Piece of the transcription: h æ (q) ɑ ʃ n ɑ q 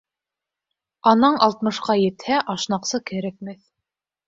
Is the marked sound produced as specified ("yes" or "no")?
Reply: no